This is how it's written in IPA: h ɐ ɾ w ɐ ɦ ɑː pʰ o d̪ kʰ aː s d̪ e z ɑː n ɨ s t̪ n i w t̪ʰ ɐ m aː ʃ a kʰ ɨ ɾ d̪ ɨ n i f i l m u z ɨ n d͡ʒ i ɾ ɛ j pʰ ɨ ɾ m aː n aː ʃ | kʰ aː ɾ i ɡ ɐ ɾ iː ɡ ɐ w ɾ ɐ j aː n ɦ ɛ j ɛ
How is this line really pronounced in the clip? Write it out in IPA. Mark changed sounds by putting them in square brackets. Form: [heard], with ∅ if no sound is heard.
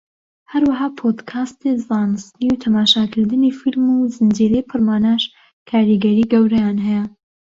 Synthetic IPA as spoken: h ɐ ɾ w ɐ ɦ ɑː pʰ o d̪ kʰ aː s [t̪] e z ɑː n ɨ s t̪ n i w t̪ʰ ɐ m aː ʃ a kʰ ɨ ɾ d̪ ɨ n i f i l m u z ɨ n d͡ʒ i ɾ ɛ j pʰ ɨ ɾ m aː n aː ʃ | kʰ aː ɾ i ɡ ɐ ɾ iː ɡ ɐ w ɾ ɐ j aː n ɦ ɛ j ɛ